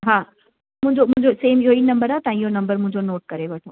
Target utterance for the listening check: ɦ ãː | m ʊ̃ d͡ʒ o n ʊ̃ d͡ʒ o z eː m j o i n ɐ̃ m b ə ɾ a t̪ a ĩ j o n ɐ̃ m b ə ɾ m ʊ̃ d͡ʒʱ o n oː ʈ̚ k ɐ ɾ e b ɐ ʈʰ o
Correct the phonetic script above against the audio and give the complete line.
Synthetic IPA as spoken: ɦ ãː | m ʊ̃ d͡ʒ o m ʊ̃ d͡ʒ o s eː m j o i n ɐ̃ m b ə ɾ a t̪ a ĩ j o n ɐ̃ m b ə ɾ m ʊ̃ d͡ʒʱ o n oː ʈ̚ k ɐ ɾ e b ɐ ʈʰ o